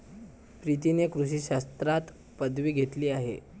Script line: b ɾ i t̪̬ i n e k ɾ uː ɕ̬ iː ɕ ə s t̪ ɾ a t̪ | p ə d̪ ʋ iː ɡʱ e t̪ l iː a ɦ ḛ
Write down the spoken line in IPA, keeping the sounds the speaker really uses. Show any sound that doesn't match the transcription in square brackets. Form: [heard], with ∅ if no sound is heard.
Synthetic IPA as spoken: [p] ɾ i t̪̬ i n e k ɾ [u] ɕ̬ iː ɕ [a] s t̪ ɾ a t̪ | p ə d̪ ʋ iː ɡʱ e t̪ l iː a ɦ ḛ